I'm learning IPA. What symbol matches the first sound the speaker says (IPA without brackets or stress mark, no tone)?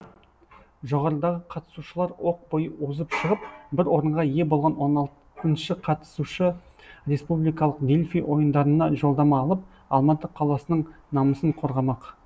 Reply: ʒ